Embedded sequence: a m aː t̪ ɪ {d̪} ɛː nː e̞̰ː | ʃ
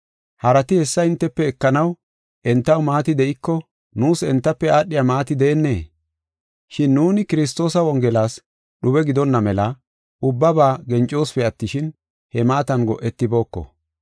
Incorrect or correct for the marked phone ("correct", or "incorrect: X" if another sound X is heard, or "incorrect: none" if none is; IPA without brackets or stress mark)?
correct